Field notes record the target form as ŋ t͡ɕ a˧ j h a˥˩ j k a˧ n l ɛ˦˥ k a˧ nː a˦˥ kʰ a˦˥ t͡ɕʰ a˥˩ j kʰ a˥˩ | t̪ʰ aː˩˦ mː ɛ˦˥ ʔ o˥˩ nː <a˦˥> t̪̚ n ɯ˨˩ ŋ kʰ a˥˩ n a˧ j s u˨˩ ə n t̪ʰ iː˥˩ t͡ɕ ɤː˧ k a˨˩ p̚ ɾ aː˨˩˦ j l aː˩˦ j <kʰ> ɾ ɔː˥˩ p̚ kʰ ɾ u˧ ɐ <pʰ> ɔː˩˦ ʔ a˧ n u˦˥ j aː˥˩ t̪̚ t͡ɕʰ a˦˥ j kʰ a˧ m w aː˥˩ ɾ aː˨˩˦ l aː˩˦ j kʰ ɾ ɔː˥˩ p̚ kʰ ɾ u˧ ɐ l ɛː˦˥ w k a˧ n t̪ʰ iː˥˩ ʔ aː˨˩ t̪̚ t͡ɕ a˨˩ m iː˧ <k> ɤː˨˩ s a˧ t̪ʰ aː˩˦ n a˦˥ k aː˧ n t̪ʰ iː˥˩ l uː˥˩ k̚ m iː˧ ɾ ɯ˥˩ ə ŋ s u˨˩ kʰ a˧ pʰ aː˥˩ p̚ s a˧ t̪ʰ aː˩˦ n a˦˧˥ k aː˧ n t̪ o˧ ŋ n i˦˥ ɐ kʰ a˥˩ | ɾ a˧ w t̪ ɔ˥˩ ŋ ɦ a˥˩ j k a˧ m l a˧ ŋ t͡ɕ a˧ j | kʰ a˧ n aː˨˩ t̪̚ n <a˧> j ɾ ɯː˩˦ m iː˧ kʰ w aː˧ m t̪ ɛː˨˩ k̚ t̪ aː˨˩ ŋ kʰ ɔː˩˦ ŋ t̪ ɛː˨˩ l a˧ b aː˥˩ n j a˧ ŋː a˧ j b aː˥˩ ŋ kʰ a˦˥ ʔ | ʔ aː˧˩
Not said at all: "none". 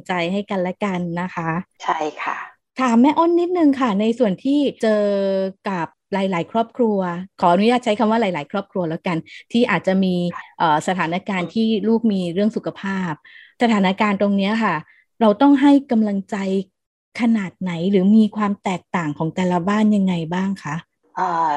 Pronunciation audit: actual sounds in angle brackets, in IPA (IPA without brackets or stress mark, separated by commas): i˦˥, kʰ, kʰ, ʔ, a˩˦